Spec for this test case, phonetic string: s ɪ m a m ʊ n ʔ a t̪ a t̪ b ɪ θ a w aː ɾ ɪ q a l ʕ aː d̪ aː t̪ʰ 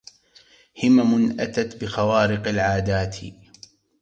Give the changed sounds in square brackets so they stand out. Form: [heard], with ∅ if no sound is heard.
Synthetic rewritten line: [h] ɪ m a m ʊ n ʔ a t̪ a t̪ b ɪ [x] a w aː ɾ ɪ q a l ʕ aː d̪ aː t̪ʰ